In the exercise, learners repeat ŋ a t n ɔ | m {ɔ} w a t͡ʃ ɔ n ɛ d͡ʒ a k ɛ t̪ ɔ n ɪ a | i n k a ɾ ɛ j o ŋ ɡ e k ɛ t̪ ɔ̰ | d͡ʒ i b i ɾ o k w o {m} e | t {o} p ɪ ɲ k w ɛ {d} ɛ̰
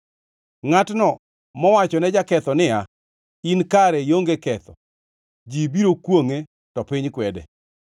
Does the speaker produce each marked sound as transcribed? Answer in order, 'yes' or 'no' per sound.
yes, no, no, yes

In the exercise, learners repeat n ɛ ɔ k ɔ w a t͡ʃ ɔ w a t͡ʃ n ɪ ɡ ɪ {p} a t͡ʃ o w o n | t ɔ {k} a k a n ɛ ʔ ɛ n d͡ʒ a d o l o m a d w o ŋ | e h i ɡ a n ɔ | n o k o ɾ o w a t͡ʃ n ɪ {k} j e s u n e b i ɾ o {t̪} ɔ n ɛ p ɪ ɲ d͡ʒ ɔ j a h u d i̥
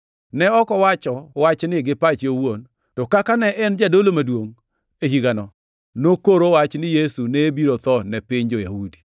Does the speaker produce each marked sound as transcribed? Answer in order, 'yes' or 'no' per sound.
yes, yes, no, yes

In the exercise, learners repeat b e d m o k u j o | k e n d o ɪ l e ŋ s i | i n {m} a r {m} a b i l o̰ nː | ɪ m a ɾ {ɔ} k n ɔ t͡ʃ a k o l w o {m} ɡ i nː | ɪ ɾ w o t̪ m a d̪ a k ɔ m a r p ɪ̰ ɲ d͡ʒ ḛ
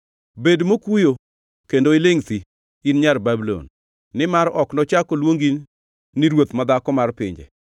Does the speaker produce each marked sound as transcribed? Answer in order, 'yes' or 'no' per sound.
no, no, yes, no

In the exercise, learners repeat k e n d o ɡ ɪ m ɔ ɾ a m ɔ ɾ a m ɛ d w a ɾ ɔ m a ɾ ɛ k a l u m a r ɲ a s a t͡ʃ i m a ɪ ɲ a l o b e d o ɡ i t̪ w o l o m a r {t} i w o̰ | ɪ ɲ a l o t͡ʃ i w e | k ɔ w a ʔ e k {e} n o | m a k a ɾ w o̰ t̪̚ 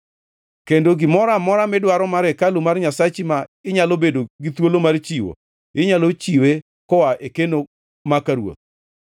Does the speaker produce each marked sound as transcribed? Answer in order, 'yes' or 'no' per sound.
no, yes

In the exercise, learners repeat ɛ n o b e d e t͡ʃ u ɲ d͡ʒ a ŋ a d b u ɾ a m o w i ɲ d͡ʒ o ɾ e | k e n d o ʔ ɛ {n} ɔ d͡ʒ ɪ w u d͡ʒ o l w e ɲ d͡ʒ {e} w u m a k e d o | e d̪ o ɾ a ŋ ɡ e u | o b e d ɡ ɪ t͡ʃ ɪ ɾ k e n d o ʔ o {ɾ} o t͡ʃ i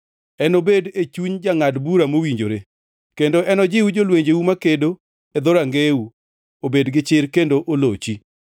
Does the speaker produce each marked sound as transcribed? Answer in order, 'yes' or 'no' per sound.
yes, yes, no

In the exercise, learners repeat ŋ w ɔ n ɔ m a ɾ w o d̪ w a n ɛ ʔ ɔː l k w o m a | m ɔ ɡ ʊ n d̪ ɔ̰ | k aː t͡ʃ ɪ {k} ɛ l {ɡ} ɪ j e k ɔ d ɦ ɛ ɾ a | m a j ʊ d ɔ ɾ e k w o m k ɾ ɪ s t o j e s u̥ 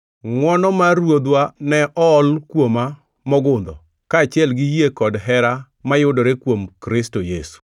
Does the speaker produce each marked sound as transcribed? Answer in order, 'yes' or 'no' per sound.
no, yes

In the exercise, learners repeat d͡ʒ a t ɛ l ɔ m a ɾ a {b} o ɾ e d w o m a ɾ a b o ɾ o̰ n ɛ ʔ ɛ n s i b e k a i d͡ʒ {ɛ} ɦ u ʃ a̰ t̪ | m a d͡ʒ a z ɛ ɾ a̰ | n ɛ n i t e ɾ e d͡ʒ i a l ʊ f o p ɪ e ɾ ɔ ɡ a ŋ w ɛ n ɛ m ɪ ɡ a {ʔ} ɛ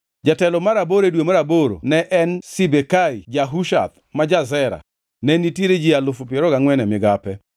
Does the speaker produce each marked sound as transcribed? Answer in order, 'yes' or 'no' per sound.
yes, no, no

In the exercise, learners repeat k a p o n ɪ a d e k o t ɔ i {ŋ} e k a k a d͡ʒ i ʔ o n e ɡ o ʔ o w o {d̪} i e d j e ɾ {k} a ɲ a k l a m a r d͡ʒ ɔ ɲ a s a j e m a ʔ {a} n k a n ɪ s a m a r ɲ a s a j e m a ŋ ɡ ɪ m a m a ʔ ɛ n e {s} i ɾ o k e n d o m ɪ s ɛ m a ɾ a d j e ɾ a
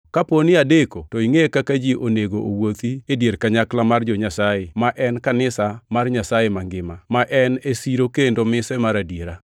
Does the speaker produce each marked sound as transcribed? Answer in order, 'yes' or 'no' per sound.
yes, no, yes, no, yes

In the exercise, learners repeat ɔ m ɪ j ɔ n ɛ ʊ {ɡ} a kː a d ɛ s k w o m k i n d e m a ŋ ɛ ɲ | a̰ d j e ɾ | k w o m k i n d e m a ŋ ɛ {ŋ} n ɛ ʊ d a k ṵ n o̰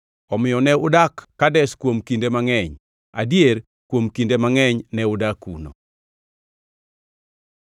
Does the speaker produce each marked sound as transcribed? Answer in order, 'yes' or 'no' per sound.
no, no

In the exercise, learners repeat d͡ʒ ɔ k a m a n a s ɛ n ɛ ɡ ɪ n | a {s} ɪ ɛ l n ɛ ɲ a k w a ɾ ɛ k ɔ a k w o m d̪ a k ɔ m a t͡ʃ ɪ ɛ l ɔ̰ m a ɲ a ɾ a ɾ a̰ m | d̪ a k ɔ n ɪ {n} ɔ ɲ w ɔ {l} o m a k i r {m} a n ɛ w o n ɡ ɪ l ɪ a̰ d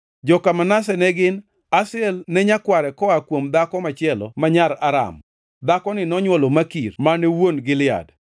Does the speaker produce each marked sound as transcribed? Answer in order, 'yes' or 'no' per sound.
yes, yes, yes, yes

